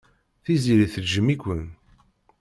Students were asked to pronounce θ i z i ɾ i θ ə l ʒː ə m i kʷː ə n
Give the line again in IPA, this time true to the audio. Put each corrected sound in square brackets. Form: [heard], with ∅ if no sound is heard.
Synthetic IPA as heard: θ i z i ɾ i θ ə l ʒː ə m i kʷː ə n